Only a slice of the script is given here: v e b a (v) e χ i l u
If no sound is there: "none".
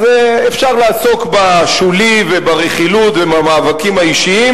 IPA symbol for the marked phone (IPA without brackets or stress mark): ʁ